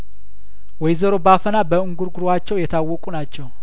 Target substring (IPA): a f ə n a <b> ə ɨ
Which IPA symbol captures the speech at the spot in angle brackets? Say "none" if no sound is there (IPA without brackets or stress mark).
b